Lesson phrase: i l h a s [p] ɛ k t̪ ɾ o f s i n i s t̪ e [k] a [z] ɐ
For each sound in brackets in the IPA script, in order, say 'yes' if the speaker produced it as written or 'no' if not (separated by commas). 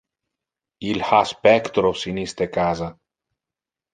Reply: yes, yes, yes